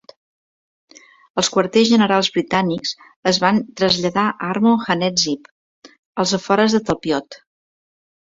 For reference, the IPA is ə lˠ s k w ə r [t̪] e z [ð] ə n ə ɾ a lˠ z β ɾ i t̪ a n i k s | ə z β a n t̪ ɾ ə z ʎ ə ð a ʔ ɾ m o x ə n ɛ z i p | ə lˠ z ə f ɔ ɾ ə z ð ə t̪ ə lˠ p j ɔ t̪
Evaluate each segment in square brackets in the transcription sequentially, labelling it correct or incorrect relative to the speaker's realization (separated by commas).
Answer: correct, incorrect